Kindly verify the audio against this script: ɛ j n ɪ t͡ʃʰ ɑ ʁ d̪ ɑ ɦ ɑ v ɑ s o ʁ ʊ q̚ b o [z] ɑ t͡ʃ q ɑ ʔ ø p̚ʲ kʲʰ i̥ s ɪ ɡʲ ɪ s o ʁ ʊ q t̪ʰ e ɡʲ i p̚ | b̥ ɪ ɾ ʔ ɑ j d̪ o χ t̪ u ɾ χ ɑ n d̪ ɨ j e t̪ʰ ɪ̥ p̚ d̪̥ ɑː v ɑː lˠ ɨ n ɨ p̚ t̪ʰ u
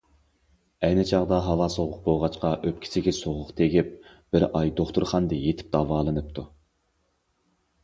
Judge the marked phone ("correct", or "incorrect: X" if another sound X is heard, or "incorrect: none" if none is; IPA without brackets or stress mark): incorrect: ʁ